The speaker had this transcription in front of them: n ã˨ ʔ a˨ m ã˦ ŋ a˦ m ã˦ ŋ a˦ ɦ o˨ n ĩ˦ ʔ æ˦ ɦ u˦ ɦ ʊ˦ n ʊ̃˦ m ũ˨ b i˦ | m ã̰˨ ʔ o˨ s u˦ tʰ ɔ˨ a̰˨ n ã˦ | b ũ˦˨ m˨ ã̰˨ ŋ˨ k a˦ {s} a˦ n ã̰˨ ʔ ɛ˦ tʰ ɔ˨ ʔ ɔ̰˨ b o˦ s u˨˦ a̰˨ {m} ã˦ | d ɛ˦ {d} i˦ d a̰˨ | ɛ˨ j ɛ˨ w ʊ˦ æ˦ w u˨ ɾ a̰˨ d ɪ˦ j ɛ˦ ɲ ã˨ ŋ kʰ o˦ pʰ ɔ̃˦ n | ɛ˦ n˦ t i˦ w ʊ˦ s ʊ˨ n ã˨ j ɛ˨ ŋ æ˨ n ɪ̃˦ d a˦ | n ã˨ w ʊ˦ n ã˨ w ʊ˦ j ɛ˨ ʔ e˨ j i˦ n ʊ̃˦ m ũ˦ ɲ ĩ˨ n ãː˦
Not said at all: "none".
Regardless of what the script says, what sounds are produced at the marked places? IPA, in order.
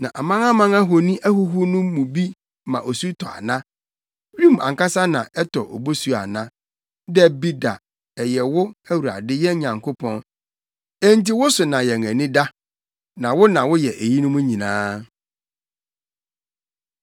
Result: s, n, b

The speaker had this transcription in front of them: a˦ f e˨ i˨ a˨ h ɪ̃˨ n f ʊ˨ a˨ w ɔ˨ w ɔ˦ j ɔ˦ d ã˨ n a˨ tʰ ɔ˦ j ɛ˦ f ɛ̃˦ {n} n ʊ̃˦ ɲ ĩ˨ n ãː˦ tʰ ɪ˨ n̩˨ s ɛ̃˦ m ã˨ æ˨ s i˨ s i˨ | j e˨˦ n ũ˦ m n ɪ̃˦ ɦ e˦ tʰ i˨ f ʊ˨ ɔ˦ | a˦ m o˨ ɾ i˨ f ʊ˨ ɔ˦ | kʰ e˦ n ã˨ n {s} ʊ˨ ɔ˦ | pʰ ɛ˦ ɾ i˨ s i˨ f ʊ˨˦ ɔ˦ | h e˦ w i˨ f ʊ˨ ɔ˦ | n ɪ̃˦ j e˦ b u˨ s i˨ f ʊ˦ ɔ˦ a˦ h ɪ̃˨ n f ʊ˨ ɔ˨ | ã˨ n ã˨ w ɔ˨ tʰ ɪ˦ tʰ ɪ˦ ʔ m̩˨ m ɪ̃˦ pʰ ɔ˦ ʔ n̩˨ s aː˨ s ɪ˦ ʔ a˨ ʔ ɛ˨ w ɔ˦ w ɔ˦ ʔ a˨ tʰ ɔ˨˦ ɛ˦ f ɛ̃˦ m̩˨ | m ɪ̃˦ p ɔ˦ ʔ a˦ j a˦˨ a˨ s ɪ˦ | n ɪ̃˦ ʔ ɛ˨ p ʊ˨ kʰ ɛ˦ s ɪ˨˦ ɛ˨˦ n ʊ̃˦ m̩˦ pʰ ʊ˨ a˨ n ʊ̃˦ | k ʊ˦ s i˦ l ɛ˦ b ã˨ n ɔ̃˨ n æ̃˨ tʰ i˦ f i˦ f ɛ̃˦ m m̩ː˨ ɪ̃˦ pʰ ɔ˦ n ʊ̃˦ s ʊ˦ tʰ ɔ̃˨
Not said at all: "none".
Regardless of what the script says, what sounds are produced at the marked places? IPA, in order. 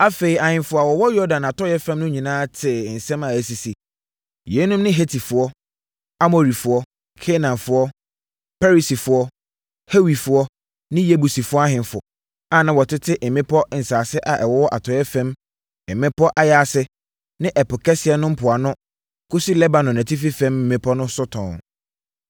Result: m, f

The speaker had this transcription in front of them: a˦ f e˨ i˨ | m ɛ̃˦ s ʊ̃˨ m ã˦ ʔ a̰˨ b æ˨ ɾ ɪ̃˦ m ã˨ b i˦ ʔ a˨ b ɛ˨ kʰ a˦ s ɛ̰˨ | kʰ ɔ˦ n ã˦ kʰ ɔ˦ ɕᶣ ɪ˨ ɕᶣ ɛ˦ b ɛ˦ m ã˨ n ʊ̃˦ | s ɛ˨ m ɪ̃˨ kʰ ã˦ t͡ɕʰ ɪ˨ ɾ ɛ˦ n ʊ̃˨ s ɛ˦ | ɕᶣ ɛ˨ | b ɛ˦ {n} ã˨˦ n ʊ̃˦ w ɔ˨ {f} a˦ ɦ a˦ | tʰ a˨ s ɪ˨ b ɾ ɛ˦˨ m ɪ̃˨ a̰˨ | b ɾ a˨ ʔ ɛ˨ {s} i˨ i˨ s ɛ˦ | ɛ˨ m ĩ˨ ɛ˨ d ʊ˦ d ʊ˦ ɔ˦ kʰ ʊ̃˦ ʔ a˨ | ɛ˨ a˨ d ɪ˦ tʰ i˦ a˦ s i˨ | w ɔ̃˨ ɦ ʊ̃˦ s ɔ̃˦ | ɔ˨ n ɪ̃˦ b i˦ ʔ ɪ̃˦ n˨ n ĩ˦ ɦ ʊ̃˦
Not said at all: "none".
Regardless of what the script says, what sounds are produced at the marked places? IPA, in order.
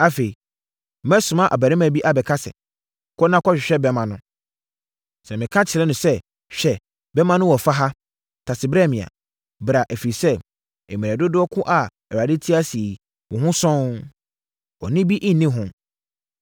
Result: m, f, f

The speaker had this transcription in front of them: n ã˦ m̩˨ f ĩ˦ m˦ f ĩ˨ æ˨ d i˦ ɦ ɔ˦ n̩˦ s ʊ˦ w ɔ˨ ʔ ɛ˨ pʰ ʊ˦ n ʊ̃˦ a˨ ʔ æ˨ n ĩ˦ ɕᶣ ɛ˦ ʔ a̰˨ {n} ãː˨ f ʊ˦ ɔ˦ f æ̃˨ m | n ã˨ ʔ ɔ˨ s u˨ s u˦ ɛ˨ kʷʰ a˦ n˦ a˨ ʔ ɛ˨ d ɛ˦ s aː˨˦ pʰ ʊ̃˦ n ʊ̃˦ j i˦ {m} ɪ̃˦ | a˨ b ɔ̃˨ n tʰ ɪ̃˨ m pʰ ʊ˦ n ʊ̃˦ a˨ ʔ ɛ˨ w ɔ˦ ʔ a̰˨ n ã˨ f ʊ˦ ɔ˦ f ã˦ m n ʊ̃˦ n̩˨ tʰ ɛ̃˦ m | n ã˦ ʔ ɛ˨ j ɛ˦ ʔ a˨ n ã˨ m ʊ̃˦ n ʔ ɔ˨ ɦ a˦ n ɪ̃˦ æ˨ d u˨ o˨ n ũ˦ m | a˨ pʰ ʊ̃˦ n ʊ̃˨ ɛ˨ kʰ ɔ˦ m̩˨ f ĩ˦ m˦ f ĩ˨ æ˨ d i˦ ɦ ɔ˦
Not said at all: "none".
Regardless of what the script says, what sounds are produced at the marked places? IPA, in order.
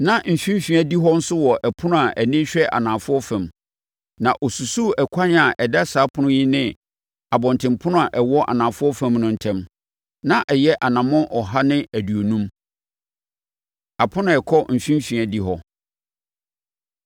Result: n, n

